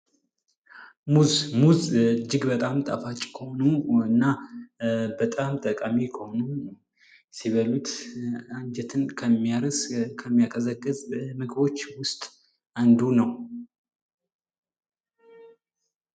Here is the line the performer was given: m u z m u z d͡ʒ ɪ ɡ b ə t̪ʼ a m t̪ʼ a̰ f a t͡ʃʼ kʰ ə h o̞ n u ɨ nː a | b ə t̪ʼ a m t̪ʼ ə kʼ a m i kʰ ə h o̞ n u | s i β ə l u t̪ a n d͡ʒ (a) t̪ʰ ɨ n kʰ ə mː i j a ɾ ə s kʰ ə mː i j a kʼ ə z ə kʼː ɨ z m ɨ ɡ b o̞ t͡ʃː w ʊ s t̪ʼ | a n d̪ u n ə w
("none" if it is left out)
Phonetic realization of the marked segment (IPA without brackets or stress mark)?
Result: ɛ